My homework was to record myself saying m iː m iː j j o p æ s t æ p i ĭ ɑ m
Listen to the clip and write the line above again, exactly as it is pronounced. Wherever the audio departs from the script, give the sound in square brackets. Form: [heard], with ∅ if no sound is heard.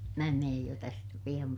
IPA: m [æː] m [eː] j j o [t] æ s t æ p i [j̆] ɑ m

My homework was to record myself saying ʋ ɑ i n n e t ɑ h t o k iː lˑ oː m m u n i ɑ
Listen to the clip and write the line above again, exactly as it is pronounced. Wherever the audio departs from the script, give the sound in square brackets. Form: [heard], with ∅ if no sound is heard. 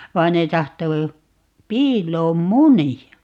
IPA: ʋ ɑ i n n e t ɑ h t o [p] iː lˑ oː m m u n i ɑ

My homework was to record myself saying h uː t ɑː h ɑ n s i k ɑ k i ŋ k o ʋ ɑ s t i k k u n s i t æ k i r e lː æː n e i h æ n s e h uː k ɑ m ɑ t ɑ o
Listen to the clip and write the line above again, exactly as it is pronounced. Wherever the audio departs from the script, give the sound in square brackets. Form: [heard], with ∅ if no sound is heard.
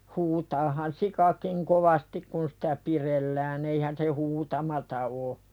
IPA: h uː t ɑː h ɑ n s i k ɑ k i ŋ k o ʋ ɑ s t i k k u n s i t æ [p] i r e lː æː n e i h æ n s e h uː [t] ɑ m ɑ t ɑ o

